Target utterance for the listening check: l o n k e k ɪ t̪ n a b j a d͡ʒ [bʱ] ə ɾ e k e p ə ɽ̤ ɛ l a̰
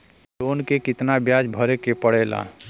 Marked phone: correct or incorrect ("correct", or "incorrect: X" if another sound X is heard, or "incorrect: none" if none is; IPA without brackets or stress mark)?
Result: correct